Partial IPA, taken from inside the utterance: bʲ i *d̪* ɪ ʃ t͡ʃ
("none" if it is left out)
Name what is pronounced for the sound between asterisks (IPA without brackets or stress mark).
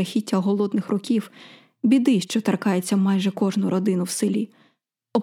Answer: d̪